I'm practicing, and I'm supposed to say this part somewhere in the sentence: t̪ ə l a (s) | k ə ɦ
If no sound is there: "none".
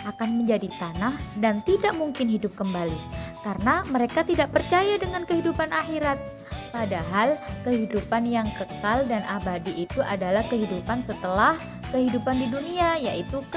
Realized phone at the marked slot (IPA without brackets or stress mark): h